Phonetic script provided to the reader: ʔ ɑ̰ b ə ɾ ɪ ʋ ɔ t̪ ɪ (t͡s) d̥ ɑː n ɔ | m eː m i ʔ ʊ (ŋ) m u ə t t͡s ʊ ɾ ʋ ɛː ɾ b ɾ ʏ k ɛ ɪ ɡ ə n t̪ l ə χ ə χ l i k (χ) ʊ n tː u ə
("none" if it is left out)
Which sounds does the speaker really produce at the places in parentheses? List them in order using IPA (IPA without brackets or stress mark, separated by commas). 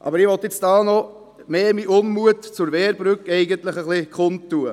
t͡s, n, χ